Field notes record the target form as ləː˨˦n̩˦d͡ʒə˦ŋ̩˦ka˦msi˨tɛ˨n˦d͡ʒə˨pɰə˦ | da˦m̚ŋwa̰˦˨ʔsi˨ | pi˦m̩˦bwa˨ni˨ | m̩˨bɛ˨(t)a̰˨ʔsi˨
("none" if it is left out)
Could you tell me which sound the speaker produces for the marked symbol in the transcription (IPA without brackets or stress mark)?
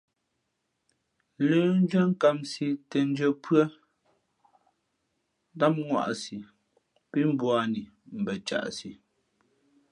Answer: t͡ʃ